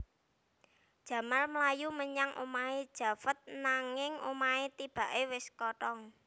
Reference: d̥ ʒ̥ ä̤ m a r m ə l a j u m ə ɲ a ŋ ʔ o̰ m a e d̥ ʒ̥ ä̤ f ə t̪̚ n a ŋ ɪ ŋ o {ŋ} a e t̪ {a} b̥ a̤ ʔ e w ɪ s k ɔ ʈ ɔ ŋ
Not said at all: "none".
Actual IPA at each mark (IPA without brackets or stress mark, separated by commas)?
m, i